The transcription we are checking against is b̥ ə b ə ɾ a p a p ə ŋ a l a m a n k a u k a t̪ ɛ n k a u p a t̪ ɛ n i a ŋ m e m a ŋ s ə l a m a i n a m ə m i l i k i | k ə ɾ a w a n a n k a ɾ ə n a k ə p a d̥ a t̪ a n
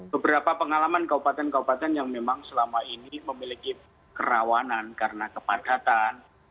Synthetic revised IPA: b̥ ə b ə ɾ a p a p ə ŋ a l a m a n k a u p a t̪ ɛ n k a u p a t̪ ɛ n j a ŋ m e m a ŋ s ə l a m a i n i m ə m i l i k i | k ə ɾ a w a n a n k a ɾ ə n a k ə p a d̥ a t̪ a n